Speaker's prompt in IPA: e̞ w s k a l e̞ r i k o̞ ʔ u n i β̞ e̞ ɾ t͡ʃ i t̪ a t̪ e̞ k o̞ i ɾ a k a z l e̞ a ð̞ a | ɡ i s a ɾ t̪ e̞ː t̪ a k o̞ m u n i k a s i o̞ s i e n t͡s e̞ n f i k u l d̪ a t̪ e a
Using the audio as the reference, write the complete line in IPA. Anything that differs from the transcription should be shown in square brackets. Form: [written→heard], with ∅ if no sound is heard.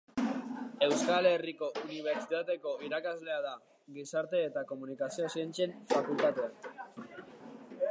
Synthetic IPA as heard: e̞ w s k a l e̞ r i k o̞ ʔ u n i β̞ e̞ ɾ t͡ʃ i t̪ a t̪ e̞ k o̞ i ɾ a k a z l e̞ a ð̞ a | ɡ i s a ɾ t̪ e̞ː t̪ a k o̞ m u n i k a s i o̞ s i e n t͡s e̞ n f [i→a] k u l [d̪→t̪] a t̪ e a